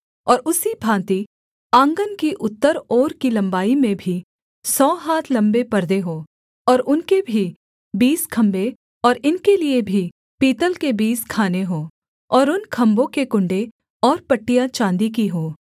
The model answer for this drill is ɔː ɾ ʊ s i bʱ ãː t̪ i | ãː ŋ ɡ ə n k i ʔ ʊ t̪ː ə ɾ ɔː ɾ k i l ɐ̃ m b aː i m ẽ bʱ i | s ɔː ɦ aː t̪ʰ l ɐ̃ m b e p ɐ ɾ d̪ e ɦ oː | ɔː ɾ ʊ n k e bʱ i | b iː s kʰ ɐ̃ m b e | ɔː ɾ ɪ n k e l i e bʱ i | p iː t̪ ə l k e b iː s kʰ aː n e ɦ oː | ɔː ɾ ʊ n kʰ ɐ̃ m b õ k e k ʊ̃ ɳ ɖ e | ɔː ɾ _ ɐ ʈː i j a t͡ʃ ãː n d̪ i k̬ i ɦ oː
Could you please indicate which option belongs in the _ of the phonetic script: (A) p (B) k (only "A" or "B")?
A